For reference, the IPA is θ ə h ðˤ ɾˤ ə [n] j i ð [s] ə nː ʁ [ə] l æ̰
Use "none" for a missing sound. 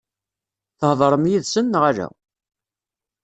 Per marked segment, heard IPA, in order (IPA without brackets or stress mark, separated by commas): m, s, a